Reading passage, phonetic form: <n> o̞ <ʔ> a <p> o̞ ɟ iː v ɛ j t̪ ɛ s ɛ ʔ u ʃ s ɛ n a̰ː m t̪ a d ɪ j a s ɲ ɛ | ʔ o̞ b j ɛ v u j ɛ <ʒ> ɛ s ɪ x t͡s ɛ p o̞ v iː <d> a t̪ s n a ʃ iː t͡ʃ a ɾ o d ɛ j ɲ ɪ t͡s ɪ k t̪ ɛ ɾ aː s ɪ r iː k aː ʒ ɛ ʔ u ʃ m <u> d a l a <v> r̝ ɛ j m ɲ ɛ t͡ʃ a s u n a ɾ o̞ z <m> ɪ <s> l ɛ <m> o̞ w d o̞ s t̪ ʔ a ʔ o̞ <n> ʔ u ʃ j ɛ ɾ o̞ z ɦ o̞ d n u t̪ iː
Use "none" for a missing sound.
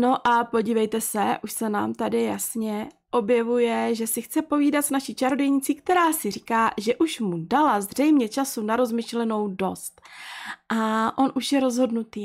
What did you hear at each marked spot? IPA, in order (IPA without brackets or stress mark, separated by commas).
n, ʔ, p, ʒ, d, u, z, m, ʃ, n, n